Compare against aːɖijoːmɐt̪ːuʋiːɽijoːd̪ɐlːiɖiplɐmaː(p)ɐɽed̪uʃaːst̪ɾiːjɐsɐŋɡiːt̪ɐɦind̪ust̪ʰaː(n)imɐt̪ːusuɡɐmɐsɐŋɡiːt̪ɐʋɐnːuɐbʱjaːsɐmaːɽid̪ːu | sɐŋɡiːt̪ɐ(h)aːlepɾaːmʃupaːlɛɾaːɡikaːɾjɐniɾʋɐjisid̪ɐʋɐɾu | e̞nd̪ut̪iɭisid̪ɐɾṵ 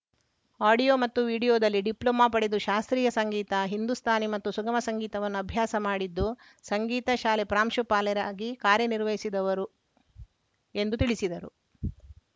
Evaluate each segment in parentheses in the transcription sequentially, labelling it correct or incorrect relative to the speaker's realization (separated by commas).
correct, correct, incorrect